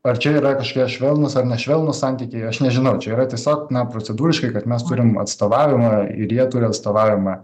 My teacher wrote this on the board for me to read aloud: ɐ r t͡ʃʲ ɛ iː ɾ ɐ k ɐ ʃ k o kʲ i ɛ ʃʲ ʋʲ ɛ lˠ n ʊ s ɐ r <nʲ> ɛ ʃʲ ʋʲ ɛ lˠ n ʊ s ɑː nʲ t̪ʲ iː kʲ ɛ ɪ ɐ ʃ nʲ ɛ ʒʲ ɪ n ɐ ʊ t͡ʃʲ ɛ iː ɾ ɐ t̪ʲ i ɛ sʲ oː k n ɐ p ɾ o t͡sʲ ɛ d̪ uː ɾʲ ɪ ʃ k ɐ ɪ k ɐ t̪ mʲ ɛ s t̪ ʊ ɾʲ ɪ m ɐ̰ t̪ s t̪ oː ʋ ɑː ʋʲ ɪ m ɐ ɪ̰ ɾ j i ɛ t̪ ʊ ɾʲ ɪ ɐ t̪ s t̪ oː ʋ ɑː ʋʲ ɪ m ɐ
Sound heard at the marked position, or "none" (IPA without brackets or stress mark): nʲ